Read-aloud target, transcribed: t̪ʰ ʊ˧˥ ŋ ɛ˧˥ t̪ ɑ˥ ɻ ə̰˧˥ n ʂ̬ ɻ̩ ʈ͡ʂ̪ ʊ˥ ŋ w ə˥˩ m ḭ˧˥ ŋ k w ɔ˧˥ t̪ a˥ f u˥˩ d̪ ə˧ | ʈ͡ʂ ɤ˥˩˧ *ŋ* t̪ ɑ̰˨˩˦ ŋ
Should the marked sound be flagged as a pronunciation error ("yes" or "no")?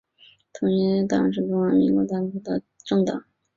no